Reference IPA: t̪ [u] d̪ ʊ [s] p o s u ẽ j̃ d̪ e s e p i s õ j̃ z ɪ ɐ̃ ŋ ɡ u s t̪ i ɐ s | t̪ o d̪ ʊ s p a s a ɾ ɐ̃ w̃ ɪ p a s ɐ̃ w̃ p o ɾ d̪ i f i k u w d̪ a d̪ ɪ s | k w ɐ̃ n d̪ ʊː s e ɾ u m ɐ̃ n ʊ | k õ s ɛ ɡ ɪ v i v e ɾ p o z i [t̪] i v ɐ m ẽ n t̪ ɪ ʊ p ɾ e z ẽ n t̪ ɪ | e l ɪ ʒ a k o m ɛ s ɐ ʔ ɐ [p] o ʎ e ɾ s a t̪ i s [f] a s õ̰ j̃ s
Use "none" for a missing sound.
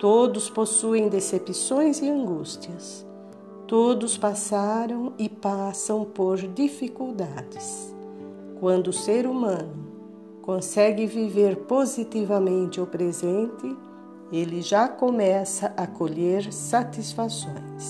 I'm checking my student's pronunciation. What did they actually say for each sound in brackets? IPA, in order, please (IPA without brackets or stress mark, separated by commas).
o, s, t̪, k, f